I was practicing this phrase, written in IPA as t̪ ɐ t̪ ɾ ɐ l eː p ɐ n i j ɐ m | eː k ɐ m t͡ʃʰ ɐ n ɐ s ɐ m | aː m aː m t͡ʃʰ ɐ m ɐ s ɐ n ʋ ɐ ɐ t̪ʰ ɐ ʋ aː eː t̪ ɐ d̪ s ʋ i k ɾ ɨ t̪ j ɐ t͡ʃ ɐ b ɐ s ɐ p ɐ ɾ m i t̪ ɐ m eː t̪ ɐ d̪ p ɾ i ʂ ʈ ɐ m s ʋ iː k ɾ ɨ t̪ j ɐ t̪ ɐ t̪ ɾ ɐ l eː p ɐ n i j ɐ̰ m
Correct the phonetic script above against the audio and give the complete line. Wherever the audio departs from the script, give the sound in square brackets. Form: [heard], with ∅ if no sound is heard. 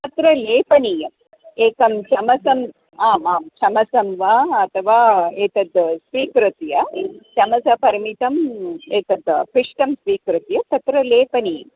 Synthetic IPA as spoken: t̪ ɐ t̪ ɾ ɐ l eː p ɐ n i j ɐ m | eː k ɐ m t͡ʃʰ ɐ [m] ɐ s ɐ m | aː m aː m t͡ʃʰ ɐ m ɐ s ɐ [m] ʋ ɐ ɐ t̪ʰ ɐ ʋ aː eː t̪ ɐ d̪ s ʋ [iː] k ɾ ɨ t̪ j ɐ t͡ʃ ɐ [m] ɐ s ɐ p ɐ ɾ m i t̪ ɐ m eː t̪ ɐ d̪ p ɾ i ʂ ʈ ɐ m s ʋ iː k ɾ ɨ t̪ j ɐ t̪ ɐ t̪ ɾ ɐ l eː p ɐ n i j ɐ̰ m